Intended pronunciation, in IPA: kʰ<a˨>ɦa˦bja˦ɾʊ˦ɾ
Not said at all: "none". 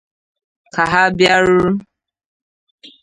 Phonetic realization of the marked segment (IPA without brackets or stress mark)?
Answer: a˨